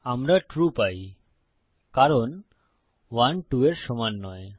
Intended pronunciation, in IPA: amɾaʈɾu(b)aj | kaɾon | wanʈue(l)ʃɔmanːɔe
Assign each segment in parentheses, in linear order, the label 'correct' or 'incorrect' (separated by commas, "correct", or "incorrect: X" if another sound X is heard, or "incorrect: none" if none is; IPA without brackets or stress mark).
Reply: incorrect: p, incorrect: ɾ